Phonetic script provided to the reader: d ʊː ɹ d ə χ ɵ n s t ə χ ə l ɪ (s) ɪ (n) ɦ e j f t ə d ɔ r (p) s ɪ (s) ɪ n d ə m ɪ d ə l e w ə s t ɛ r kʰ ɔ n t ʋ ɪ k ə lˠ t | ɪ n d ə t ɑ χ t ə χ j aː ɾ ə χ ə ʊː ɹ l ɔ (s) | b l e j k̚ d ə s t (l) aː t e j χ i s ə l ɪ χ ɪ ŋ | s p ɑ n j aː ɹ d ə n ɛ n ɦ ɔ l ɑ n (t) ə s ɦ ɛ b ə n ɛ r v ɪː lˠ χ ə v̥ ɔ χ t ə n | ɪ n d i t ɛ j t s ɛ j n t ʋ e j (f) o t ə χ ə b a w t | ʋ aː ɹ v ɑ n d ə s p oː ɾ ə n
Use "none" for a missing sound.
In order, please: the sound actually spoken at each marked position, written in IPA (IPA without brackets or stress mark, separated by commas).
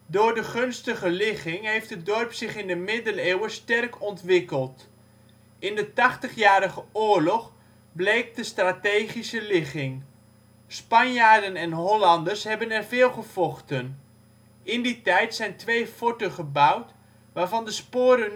χ, ŋ, p, χ, χ, r, d, f